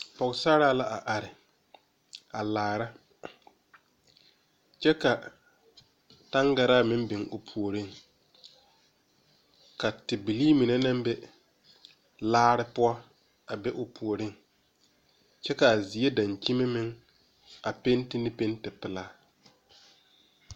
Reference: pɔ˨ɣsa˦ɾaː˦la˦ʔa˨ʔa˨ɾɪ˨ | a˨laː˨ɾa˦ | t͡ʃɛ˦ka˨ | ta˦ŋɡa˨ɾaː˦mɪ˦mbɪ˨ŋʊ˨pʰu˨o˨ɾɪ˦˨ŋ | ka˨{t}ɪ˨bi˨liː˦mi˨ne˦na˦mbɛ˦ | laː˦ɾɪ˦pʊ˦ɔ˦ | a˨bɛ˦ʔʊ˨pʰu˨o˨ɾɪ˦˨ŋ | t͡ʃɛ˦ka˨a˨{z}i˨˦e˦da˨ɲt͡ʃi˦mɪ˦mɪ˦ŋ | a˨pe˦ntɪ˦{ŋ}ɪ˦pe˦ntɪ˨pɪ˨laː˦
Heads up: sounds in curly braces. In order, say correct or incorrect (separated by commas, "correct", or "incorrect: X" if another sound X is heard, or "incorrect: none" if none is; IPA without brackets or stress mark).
correct, correct, incorrect: n